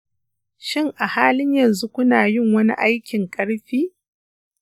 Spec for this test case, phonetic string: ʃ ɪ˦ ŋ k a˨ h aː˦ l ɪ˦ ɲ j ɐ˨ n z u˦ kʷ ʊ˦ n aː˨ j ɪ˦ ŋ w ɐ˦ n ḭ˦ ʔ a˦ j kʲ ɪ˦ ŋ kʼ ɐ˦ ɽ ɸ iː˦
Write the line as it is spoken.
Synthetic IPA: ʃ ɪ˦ ŋ ʔ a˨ h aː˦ l ɪ˦ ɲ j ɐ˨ n z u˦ kʷ ʊ˦ n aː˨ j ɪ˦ ŋ w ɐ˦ n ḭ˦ ʔ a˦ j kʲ ɪ˨ ŋ kʼ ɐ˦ ɽ ɸ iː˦